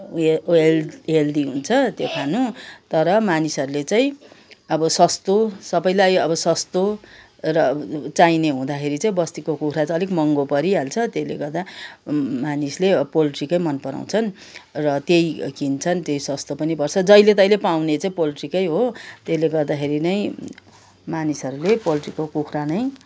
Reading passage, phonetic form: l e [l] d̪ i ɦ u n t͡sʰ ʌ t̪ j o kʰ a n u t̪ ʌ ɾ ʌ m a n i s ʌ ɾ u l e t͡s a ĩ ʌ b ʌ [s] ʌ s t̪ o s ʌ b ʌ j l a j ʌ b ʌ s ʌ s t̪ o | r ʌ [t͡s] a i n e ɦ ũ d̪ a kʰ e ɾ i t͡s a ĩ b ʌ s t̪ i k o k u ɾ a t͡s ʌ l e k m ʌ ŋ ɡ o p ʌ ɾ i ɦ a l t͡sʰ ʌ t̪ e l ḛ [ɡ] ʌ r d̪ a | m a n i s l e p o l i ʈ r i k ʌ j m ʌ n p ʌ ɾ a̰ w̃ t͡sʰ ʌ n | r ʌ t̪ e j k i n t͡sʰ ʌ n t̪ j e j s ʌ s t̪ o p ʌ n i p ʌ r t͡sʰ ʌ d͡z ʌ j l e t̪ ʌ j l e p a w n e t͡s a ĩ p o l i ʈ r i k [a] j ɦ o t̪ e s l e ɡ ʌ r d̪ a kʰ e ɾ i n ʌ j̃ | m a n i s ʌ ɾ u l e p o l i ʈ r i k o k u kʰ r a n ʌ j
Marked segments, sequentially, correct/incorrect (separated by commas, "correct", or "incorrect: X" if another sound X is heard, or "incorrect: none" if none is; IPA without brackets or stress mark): correct, correct, correct, correct, incorrect: ʌ